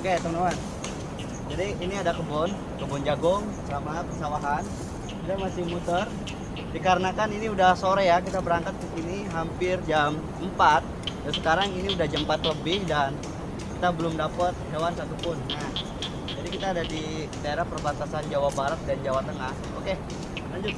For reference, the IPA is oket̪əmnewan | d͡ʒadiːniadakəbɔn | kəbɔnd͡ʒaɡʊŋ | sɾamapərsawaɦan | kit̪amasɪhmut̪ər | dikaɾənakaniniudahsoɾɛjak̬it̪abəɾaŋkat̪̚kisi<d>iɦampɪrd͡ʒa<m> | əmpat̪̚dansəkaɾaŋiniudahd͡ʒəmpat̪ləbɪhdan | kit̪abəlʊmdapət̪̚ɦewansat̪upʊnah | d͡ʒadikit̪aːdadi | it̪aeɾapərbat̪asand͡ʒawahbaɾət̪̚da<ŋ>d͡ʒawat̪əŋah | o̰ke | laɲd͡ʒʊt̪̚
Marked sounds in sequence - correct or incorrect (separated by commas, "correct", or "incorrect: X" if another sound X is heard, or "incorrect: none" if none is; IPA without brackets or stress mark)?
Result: incorrect: n, correct, incorrect: n